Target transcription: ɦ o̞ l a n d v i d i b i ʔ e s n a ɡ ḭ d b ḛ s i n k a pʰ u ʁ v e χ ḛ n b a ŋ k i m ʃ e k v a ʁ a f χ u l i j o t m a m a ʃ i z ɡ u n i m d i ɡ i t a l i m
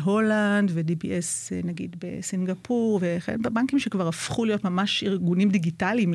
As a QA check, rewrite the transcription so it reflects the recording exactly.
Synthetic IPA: ɦ o̞ l a n d v e d i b i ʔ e s n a ɡ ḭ d b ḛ s i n ɡ a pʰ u ʁ v e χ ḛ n b a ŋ k i m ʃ e k v a ʁ a f χ u l i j o t m a m a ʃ i ʁ ɡ u n i m d i ɡ i t a l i m